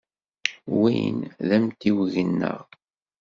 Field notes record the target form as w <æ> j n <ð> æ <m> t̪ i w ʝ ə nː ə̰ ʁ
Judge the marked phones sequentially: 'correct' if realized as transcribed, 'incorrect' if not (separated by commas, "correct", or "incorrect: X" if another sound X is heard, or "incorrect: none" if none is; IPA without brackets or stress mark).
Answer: incorrect: i, correct, correct